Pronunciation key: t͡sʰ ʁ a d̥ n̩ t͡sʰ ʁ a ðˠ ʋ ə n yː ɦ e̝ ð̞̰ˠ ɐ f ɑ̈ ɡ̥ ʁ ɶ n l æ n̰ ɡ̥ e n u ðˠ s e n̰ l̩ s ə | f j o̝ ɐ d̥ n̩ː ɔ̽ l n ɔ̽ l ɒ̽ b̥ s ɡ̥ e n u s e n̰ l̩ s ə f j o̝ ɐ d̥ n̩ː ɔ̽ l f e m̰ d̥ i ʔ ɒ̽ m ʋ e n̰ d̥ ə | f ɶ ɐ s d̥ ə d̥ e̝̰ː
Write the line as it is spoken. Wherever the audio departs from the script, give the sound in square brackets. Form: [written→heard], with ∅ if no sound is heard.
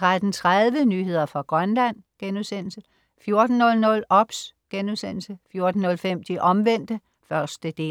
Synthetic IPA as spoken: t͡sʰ ʁ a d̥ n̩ t͡sʰ ʁ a ðˠ ʋ ə n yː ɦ e̝ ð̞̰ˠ ɐ f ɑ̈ ɡ̥ ʁ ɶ n l æ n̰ ɡ̥ e n u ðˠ s e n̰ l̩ s ə | f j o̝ ɐ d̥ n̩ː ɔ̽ l n ɔ̽ l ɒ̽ b̥ s ɡ̥ e n u s e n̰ l̩ s ə f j o̝ ɐ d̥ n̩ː ɔ̽ l f e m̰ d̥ i ʔ ɒ̽ m ʋ e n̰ d̥ ə | f ɶ ɐ s d̥ ə d̥ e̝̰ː